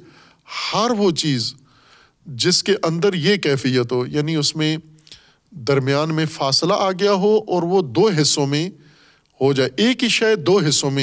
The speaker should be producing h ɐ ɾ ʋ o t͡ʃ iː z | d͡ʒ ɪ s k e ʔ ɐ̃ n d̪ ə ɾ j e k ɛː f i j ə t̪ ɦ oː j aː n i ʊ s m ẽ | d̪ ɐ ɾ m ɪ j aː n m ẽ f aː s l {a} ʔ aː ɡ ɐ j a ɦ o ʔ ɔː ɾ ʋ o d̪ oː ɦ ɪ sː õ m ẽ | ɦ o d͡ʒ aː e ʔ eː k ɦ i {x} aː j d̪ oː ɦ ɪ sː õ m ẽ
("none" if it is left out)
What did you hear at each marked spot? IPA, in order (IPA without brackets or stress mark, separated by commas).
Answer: a, ʃ